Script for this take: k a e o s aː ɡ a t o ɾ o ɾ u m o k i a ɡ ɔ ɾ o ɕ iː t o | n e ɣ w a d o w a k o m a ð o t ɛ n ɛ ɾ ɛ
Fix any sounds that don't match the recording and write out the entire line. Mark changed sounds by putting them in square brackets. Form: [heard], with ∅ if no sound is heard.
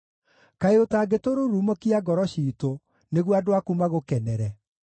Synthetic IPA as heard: k a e o [t] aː ɡ [e] t o ɾ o ɾ u m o k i a ɡ ɔ ɾ [ɔ] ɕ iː t o | n e ɣ w a d o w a k [u] m a [ɣ] o [k] ɛ n ɛ ɾ ɛ